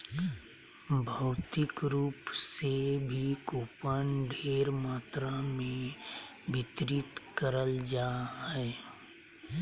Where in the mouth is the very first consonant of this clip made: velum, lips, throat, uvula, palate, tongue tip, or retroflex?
lips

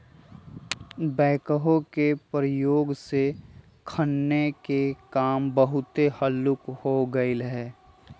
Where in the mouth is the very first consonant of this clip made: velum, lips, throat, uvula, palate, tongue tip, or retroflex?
lips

